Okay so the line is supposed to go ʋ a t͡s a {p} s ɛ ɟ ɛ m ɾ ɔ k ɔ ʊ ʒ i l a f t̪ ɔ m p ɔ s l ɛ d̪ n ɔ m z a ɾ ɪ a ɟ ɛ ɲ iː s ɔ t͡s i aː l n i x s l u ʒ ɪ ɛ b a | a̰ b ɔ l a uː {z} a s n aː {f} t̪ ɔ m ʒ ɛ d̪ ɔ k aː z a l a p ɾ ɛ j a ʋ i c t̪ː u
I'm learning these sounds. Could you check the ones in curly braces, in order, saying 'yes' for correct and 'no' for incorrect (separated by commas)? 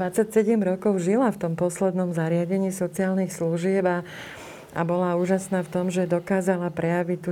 no, no, yes